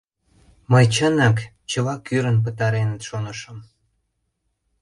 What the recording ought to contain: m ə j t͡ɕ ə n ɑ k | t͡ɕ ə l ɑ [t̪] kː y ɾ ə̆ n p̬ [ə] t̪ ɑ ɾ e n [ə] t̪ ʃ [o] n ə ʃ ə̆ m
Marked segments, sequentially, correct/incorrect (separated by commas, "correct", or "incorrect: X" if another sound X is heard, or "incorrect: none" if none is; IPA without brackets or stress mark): incorrect: none, correct, correct, correct